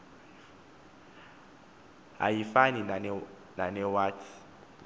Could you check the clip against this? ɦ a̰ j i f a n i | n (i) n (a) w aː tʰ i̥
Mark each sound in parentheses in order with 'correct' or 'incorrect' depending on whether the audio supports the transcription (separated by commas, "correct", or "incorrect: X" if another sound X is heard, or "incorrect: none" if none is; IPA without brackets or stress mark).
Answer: incorrect: a, incorrect: ɛ